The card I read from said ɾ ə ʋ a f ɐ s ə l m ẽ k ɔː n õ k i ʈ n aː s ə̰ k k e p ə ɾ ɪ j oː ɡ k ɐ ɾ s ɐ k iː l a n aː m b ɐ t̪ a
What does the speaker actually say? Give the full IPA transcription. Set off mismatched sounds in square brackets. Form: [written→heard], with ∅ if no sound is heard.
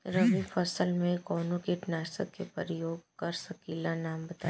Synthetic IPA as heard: ɾ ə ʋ [a→i] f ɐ s ə l m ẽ k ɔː n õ k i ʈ n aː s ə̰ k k e p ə ɾ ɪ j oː ɡ k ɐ ɾ s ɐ k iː l a n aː m b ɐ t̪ a